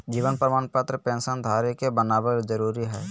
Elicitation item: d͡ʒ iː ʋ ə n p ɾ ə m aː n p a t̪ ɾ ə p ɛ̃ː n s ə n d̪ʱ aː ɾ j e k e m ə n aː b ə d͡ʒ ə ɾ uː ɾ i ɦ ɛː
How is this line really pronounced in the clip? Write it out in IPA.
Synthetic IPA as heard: d͡ʒ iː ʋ ə n p ɾ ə m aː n p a t̪ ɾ ə p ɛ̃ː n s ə n d̪ʱ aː ɾ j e k e b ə n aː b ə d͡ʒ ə ɾ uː ɾ i ɦ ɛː